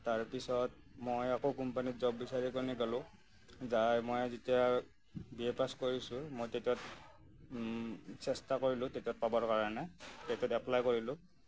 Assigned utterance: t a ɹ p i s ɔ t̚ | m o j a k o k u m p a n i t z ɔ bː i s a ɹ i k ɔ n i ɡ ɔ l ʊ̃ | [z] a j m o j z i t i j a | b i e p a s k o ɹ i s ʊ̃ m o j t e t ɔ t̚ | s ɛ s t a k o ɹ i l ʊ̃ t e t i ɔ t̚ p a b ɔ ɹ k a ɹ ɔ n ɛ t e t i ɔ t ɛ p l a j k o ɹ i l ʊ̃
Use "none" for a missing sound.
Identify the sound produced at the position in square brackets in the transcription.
z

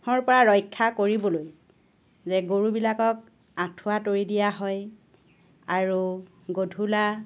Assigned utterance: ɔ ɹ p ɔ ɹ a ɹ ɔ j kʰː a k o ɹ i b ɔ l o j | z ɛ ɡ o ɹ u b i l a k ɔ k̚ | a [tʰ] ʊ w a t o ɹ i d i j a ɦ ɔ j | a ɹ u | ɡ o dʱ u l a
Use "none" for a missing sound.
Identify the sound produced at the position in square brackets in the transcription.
tʰ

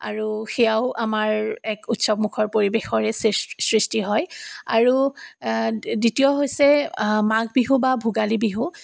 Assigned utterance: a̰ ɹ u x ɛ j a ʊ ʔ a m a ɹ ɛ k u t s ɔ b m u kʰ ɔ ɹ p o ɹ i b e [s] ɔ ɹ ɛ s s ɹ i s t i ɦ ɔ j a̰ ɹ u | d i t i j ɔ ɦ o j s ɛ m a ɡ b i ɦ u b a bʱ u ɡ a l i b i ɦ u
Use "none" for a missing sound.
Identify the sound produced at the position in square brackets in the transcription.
x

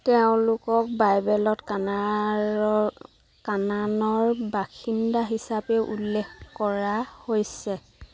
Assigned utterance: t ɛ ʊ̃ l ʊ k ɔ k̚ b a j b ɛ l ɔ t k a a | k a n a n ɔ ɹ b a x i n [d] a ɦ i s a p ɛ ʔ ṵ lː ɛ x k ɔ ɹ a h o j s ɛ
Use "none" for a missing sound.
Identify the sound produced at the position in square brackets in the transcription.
d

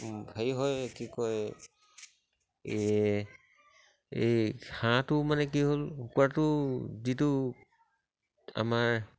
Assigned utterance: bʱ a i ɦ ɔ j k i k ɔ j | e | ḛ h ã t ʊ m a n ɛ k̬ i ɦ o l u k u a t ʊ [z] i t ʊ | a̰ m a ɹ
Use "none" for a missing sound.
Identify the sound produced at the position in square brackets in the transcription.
z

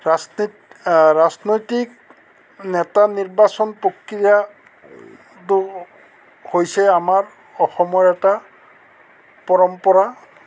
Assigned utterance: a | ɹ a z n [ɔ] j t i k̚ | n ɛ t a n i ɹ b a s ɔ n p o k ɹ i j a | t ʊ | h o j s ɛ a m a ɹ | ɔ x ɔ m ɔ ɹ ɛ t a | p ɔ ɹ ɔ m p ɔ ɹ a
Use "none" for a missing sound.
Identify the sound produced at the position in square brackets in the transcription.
o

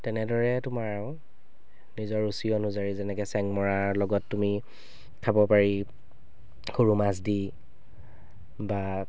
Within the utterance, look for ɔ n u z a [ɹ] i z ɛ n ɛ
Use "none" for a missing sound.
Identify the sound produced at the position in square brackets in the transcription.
ɹ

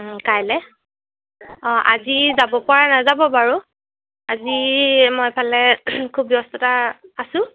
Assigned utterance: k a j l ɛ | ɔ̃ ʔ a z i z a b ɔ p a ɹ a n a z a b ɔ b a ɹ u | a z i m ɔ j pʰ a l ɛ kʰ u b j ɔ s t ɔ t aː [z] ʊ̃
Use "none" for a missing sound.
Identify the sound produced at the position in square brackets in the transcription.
s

